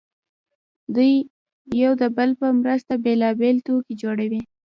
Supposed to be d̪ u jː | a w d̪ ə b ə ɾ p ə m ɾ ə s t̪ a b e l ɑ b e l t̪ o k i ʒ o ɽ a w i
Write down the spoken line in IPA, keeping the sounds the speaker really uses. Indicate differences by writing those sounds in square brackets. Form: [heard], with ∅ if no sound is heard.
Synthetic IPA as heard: d̪ u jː | a w d̪ ə b ə [l] p ə m ɾ ə s t̪ a b e l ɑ b e l t̪ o k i [d͡ʒ] o ɽ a w i